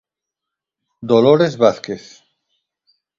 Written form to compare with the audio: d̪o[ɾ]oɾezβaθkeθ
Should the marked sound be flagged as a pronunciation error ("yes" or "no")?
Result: yes